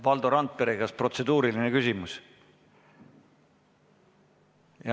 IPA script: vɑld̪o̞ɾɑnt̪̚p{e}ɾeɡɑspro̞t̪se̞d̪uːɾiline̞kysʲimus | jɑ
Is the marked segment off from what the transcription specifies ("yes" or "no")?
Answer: no